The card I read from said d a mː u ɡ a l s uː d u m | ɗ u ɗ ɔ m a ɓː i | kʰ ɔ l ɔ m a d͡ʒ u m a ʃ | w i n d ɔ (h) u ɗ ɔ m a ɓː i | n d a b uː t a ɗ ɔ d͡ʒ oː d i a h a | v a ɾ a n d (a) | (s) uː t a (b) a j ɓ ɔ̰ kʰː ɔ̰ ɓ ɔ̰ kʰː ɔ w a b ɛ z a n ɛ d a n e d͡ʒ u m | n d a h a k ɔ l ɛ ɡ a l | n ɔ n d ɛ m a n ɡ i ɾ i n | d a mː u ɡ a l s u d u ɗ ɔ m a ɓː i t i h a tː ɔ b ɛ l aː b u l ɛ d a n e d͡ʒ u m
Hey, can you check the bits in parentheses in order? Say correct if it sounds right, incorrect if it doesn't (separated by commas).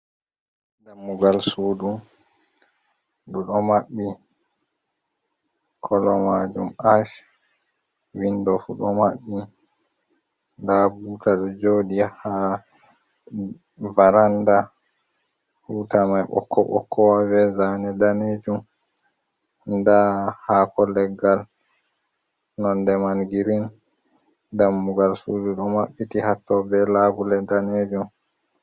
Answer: incorrect, correct, incorrect, incorrect